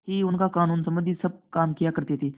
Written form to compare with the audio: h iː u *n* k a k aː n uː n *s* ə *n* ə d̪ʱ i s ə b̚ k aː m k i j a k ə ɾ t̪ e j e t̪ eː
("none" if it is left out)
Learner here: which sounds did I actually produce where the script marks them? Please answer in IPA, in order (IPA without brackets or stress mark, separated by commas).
n, s, m